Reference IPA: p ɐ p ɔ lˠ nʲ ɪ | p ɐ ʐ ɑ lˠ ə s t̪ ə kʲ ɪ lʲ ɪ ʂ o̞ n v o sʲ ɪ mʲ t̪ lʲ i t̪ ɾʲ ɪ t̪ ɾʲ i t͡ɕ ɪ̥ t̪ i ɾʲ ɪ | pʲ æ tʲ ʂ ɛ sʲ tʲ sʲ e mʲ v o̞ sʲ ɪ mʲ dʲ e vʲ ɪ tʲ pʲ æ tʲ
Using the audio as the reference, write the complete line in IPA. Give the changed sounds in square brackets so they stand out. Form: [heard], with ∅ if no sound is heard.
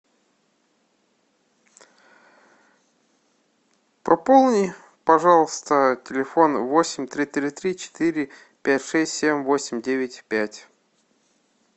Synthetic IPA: p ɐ p [o] lˠ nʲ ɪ | p ɐ ʐ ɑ lˠ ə s t̪ ə [tʲ] ɪ lʲ ɪ [f] o̞ n v o sʲ ɪ mʲ t̪ [ɾʲ] i t̪ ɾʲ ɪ t̪ ɾʲ i t͡ɕ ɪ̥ t̪ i ɾʲ ɪ | pʲ æ tʲ ʂ ɛ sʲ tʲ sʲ e mʲ v o̞ sʲ ɪ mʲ dʲ e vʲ ɪ tʲ pʲ æ tʲ